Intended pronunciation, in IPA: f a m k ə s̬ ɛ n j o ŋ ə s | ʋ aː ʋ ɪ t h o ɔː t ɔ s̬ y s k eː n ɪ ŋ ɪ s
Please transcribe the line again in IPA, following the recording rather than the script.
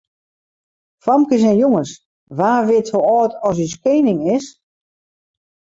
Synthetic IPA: f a m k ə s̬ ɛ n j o ŋ ə s | ʋ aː ʋ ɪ t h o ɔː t ɔ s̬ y s k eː n ɪ ŋ ɪ s